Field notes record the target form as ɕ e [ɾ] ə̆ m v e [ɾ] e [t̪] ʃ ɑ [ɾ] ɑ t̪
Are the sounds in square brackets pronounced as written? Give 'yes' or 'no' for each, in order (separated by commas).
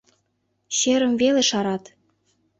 yes, no, no, yes